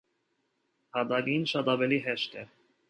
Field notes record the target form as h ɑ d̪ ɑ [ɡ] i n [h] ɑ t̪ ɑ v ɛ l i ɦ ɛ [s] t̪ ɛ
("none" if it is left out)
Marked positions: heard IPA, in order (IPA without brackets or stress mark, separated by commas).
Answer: ɡ, ʃ, ʃ